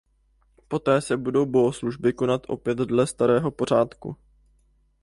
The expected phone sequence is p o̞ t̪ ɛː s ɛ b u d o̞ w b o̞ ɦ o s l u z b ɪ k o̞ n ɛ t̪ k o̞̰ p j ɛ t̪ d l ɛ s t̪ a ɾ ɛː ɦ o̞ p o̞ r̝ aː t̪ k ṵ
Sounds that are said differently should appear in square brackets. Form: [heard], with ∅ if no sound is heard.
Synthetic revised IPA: p o̞ t̪ ɛː s ɛ b u d o̞ w b o̞ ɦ o s l u [ʒ] b ɪ k o̞ n [a] t̪ [ʔ] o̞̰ p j ɛ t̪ d l ɛ s t̪ a ɾ ɛː ɦ o̞ p o̞ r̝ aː t̪ k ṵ